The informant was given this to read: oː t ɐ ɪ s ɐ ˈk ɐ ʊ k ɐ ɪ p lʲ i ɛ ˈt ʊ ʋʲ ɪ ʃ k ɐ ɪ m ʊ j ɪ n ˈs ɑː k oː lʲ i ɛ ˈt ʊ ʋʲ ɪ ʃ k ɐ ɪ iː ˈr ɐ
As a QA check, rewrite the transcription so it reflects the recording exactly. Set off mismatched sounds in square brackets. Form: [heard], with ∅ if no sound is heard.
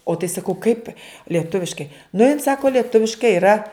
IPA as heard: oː t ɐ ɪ s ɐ ˈk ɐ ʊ k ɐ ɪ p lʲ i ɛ ˈt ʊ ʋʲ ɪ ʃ k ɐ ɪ [n] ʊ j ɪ n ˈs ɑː k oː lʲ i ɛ ˈt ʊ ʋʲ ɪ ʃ k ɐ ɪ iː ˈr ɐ